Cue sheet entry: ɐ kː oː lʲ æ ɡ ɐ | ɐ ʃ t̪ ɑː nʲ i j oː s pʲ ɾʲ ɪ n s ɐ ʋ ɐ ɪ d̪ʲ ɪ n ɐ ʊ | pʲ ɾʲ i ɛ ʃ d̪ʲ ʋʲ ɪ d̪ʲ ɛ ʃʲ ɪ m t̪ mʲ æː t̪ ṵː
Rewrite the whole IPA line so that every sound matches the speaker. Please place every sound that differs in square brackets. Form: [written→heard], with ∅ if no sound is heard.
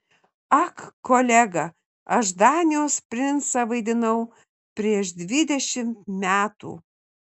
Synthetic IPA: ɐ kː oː lʲ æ ɡ ɐ | ɐ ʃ [t̪→d̪] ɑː nʲ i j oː s pʲ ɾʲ ɪ n s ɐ ʋ ɐ ɪ d̪ʲ ɪ n ɐ ʊ | pʲ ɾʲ i ɛ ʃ d̪ʲ ʋʲ ɪ d̪ʲ ɛ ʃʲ ɪ m t̪ mʲ æː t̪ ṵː